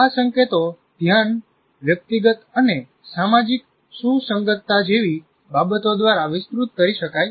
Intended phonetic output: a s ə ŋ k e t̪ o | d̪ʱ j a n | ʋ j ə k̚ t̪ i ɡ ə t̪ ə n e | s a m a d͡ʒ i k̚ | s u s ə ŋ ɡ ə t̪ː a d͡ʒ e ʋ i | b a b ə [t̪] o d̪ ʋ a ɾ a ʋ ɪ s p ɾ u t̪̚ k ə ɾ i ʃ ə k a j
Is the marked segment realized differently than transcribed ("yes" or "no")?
no